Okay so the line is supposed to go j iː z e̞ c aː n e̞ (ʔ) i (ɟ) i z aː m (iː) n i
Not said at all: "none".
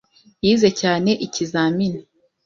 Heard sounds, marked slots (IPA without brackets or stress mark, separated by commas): ʔ, c, i